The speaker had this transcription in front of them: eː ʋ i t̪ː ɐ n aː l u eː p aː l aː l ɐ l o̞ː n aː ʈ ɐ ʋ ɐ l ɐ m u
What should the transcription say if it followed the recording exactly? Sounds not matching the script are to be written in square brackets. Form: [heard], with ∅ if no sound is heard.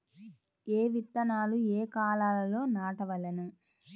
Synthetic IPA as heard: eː ʋ i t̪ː ɐ n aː l u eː [k] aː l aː l ɐ l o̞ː n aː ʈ ɐ ʋ ɐ l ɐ [n] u